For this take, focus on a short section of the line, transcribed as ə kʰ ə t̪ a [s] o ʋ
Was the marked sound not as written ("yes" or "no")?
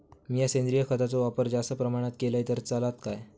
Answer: yes